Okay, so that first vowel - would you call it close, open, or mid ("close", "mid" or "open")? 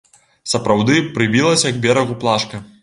open